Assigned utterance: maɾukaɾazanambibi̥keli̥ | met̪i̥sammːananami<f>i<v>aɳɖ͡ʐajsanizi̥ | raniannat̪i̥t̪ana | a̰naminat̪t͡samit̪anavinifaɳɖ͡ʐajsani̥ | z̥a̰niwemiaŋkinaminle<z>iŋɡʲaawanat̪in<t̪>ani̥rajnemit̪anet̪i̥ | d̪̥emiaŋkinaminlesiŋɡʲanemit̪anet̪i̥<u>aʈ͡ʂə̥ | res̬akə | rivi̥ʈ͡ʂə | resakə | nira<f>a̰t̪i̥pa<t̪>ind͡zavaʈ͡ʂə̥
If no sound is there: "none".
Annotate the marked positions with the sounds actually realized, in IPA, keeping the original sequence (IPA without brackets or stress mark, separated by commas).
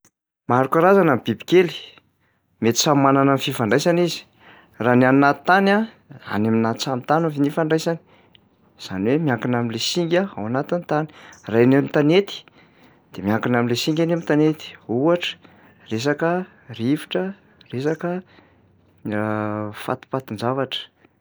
f, f, s, t̪, u, f, t̪